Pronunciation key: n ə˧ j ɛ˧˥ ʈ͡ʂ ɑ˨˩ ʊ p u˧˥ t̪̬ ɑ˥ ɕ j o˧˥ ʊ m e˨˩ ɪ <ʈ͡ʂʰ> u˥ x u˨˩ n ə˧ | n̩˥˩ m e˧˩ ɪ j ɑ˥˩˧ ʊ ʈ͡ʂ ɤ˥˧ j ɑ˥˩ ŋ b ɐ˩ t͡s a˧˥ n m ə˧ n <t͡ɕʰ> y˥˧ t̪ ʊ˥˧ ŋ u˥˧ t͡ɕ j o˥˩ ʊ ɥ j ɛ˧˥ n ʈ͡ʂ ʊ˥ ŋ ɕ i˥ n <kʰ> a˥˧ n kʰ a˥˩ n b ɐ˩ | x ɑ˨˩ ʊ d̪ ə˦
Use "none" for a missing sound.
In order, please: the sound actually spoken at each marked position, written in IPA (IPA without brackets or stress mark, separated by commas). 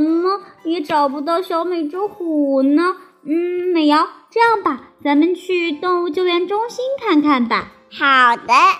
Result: ʈ͡ʂ, t͡ɕʰ, kʰ